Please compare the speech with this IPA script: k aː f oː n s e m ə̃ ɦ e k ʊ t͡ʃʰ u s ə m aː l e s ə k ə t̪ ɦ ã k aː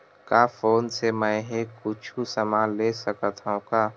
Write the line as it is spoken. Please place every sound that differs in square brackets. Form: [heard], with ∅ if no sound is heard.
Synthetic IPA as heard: k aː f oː n s e m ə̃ ɦ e k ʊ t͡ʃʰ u s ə m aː l e s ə k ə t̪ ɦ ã k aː